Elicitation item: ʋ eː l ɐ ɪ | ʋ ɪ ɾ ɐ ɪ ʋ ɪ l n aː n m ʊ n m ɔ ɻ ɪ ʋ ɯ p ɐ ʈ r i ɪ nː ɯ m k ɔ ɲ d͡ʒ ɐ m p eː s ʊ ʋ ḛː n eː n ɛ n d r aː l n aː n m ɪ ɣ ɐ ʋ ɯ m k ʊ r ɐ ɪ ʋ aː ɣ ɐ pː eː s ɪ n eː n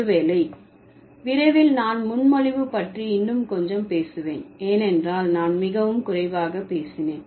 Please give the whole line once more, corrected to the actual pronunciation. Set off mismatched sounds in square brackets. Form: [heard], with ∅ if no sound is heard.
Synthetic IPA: ʋ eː l ɐ ɪ | ʋ ɪ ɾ ɐ ɪ ʋ ɪ l n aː n m ʊ n m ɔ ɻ ɪ ʋ ɯ p ɐ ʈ r i ɪ nː ɯ m k ɔ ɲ d͡ʒ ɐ m p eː s [ɯ] ʋ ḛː n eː n ɛ n d r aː l n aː n m ɪ ɣ ɐ ʋ ɯ m k ʊ r ɐ ɪ ʋ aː ɣ ɐ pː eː s ɪ n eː n

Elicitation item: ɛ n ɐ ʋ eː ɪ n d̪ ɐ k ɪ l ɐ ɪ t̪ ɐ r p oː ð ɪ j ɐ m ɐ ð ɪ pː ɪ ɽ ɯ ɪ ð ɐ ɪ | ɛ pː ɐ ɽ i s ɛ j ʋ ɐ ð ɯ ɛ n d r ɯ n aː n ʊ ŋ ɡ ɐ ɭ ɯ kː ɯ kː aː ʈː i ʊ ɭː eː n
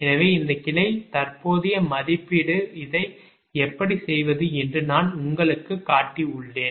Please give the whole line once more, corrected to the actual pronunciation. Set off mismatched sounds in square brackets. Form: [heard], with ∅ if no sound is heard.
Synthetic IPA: ɛ n ɐ ʋ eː ɪ n d̪ ɐ k ɪ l ɐ ɪ t̪ ɐ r p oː ð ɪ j ɐ m ɐ ð ɪ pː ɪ ɽ ɯ ɪ ð ɐ ɪ | ɛ pː ɐ ɽ i s ɛ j ʋ ɐ ð ɯ ɛ n d r ɯ n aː n ʊ ŋ ɡ ɐ ɭ ɯ kː ɯ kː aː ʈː i ʊ ɭː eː n

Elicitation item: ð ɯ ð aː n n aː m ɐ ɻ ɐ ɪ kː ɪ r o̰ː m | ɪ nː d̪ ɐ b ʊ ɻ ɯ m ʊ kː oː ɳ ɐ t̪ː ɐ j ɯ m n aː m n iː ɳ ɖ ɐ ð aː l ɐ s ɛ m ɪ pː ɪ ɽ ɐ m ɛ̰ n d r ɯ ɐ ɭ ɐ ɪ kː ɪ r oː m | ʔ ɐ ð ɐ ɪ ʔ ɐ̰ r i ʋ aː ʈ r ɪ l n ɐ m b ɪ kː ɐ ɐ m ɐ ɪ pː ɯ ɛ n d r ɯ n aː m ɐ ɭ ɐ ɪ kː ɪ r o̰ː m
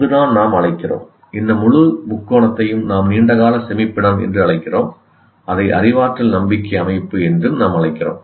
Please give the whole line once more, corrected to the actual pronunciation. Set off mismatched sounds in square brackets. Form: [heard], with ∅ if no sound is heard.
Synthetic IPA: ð ɯ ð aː n n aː m ɐ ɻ ɐ ɪ kː ɪ r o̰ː m | ɪ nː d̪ ɐ [m] ʊ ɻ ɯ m ʊ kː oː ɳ ɐ t̪ː ɐ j ɯ m n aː m n iː ɳ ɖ ɐ [ɣ] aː l ɐ s ɛ m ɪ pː ɪ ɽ ɐ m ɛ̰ n d r ɯ ɐ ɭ ɐ ɪ kː ɪ r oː m | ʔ ɐ ð ɐ ɪ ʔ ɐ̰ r [ɪ] ʋ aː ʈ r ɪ l n ɐ m b ɪ kː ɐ ɐ m ɐ ɪ pː ɯ ɛ n d r ɯ n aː m ɐ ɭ ɐ ɪ kː ɪ r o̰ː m

